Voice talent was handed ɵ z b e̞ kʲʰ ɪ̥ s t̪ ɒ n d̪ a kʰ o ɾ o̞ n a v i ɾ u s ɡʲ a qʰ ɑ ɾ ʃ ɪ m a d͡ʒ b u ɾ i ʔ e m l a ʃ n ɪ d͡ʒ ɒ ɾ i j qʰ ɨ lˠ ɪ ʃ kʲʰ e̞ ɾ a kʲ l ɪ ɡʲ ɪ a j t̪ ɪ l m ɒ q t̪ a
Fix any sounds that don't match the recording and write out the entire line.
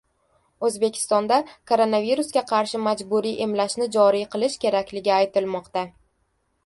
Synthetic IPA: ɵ z b e̞ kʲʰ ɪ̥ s t̪ ɒ n d̪ a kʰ o ɾ o̞ n a v i ɾ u s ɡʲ a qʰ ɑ ɾ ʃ ɪ m a d͡ʒ b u ɾ i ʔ e m l a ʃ n ɪ d͡ʒ ɒ ɾ i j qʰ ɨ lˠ ɪ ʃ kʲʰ e̞ ɾ a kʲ l ɪ ɡʲ ɪ a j t̪ ɪ l m ɒ q t̪ a